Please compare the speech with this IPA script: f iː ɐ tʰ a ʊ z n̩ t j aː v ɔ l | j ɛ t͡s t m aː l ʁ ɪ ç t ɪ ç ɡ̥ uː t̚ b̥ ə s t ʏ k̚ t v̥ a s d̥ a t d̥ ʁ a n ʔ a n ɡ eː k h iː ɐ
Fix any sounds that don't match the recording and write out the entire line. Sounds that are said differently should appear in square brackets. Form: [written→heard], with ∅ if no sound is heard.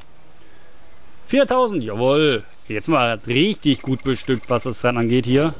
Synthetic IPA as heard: f iː ɐ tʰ a ʊ z n̩ t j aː v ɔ l | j ɛ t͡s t m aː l ʁ ɪ ç t ɪ ç ɡ̥ uː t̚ b̥ ə [s→ʃ] t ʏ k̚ t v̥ a s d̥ a [t→s] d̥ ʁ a n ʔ a n ɡ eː [k→t] h iː ɐ